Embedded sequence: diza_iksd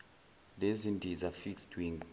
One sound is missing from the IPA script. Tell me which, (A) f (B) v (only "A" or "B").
A